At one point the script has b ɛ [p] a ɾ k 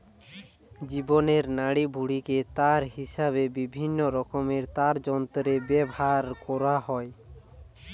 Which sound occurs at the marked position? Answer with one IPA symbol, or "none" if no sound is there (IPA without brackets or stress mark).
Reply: b